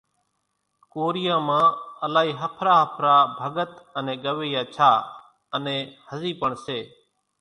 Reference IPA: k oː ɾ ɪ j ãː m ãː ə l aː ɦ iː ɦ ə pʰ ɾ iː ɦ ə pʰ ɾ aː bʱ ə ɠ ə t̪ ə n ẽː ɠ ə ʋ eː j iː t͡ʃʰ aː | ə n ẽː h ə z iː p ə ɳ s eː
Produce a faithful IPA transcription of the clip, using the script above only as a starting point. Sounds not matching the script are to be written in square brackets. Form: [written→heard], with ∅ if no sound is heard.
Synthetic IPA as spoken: k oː ɾ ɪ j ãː m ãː ə l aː ɦ iː ɦ ə pʰ ɾ [iː→aː] ɦ ə pʰ ɾ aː bʱ ə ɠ ə t̪ ə n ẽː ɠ ə ʋ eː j [iː→aː] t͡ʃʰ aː | ə n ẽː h ə z iː p ə ɳ s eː